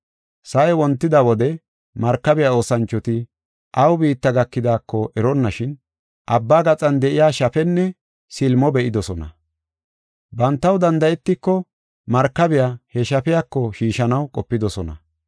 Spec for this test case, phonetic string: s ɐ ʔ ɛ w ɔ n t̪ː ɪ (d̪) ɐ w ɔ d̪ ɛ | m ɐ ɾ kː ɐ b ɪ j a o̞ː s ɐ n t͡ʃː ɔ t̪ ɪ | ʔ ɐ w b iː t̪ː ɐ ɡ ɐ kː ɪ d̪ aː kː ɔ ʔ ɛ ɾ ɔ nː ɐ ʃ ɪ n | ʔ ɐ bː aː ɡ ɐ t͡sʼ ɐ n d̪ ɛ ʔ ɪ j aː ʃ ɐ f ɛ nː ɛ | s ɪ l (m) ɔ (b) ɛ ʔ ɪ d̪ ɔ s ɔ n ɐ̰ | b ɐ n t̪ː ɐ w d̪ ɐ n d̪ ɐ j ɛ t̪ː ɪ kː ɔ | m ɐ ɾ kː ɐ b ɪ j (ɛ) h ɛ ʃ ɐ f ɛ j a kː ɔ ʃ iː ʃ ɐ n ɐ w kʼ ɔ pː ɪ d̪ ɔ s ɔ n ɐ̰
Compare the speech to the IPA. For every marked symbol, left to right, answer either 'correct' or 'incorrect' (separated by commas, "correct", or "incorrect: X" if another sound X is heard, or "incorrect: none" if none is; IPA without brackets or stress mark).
correct, correct, correct, incorrect: a